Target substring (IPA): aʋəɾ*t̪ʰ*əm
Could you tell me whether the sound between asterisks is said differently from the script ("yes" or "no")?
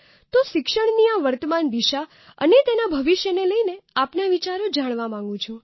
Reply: yes